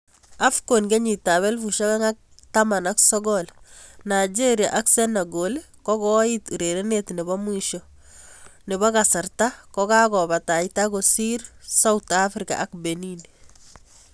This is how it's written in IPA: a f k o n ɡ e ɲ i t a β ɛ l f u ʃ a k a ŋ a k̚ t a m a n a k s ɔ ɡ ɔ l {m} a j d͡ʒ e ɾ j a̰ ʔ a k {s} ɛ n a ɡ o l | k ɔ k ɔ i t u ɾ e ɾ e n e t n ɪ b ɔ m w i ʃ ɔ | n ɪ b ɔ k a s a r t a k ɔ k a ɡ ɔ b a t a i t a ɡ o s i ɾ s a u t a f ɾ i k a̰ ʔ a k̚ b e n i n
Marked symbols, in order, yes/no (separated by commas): no, yes